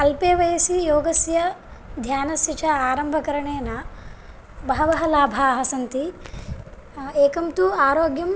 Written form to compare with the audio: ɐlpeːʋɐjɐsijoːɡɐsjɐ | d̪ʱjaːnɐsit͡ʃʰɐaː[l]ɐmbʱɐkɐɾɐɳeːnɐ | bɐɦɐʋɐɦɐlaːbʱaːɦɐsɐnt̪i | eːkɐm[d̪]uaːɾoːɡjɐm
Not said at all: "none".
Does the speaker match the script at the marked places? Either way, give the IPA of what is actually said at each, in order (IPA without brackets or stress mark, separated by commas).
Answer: ɾ, t̪